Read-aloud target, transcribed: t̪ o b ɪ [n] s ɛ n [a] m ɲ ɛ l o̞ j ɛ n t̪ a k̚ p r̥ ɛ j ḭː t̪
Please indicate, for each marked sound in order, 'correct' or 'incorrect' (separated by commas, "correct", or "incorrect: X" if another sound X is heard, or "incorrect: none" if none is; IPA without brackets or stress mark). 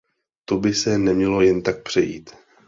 incorrect: none, incorrect: ɛ